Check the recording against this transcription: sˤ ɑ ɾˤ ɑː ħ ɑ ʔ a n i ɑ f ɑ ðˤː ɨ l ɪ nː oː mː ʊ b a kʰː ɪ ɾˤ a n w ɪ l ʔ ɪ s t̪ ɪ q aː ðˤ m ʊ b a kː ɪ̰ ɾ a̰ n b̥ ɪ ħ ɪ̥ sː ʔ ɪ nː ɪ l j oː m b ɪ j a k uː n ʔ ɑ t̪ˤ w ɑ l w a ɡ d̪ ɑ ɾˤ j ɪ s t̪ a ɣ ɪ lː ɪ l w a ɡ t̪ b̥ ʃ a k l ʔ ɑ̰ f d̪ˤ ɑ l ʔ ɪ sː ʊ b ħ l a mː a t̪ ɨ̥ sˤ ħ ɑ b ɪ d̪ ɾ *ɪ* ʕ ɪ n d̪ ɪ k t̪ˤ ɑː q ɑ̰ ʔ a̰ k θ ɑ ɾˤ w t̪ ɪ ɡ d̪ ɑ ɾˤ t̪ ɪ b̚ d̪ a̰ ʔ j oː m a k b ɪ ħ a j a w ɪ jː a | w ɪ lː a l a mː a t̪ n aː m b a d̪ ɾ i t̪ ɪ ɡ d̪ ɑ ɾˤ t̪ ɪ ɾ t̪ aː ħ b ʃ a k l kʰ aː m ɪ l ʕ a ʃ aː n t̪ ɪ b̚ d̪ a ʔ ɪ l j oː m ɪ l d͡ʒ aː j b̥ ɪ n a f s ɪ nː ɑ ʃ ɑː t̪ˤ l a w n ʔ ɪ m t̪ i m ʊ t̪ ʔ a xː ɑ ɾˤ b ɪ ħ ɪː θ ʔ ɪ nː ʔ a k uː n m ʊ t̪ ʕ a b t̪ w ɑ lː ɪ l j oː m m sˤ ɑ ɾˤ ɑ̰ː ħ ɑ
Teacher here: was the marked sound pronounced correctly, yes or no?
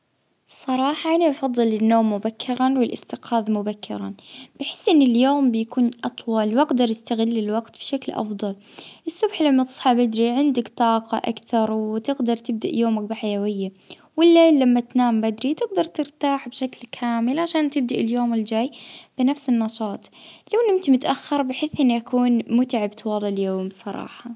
no